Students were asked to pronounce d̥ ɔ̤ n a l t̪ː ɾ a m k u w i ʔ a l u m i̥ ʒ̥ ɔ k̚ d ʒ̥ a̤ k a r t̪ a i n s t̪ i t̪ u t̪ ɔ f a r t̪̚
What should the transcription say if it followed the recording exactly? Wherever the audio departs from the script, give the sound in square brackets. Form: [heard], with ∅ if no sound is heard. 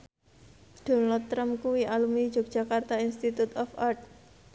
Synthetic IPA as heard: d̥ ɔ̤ n a l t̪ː ɾ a m k u w i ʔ a l u m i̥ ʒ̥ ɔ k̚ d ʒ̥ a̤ k a r t̪ a i n s t̪ i t̪ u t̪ ɔ f a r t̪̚